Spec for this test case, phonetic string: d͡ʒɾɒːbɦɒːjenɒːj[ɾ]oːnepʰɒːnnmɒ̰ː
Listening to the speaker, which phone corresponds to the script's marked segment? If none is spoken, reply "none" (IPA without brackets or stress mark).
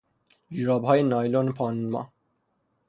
l